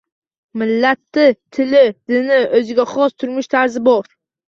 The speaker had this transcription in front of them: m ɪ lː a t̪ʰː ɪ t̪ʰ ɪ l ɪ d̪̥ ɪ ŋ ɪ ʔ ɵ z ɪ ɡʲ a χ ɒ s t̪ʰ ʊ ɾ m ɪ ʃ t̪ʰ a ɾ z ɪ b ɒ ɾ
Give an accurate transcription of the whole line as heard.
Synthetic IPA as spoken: m ɪ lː a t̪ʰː ɪ t̪ʰ ɪ l ɪ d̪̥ ɪ n ɪ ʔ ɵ z ɪ ɡʲ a χ ɒ s t̪ʰ ʊ ɾ m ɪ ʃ t̪ʰ a ɾ z ɪ b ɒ ɾ